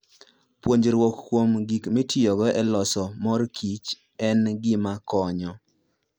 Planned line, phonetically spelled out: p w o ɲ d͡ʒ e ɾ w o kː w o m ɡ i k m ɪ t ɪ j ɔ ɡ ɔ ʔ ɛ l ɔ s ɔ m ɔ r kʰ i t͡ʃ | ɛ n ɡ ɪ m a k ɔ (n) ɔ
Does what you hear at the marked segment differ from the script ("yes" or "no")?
yes